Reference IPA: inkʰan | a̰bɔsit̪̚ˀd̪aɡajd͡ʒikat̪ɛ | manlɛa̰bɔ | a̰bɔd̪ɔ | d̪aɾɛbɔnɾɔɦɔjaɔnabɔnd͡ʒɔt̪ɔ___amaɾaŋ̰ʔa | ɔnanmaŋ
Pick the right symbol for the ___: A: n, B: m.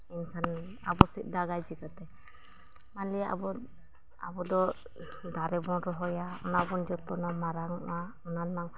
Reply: A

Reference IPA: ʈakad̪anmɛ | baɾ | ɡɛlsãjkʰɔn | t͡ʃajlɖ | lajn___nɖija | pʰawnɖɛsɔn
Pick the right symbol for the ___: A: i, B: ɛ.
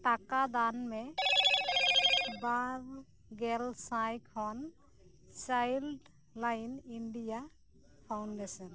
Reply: A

